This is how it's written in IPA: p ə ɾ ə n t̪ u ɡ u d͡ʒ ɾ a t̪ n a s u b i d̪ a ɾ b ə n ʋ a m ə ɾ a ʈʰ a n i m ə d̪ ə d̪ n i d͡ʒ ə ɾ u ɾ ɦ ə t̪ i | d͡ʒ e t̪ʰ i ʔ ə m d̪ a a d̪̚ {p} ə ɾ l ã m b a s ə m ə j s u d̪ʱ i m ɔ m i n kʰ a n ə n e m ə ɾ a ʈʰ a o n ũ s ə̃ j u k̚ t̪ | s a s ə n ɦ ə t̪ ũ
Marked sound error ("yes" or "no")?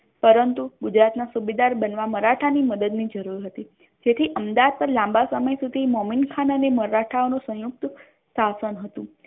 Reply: no